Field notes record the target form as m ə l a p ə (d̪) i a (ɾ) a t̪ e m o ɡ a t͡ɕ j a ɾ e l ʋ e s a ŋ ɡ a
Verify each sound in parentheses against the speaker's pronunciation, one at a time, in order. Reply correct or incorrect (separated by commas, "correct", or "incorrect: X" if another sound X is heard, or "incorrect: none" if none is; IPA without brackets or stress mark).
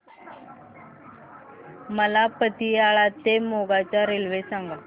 incorrect: t̪, incorrect: ɭ